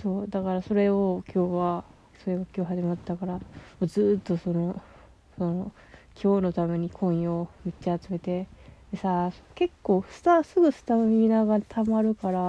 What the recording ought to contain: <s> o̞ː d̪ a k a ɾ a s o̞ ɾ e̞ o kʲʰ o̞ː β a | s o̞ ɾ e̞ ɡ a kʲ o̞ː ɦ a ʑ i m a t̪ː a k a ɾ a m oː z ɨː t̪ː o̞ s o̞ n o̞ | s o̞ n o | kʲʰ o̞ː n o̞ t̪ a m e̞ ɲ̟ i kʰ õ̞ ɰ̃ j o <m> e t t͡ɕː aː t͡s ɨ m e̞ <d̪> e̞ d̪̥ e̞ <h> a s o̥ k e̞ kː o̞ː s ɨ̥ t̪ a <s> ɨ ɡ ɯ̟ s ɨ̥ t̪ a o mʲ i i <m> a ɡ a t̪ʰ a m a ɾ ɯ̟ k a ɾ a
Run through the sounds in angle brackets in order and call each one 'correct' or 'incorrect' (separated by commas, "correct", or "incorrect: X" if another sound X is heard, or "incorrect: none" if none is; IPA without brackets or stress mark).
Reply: correct, correct, incorrect: t̪, incorrect: s, correct, incorrect: n